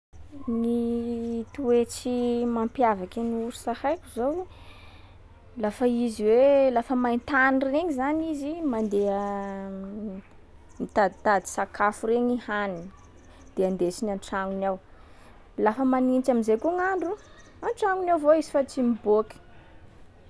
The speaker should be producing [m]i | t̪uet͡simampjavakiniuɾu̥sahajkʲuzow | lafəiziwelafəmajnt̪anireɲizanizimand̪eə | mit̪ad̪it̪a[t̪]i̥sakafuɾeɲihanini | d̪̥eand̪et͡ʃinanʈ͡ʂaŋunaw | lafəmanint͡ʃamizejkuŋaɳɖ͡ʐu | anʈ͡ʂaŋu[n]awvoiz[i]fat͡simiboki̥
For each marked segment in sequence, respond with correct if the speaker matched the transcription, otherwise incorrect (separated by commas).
incorrect, incorrect, correct, correct